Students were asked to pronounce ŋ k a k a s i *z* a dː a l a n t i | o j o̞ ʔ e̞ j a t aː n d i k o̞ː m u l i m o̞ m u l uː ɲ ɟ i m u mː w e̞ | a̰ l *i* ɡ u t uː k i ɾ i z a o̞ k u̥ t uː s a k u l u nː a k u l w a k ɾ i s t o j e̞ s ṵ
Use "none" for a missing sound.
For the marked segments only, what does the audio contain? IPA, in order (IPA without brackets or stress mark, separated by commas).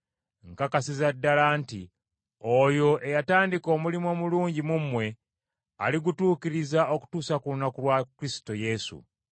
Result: z, i